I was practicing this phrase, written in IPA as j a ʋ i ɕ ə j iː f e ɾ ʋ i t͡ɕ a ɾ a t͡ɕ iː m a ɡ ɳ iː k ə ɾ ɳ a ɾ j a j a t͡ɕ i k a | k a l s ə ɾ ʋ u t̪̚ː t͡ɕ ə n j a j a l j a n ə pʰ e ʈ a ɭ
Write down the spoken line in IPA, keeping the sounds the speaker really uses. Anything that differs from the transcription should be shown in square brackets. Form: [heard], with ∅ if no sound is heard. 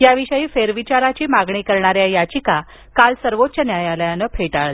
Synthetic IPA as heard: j a ʋ i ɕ ə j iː f e ɾ ʋ i t͡ɕ a ɾ a t͡ɕ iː m a ɡ ɳ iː k ə ɾ ɳ a ɾ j a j a t͡ɕ i k a | k a l s ə ɾ ʋ [o] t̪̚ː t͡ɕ ə n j a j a l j a n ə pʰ e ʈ a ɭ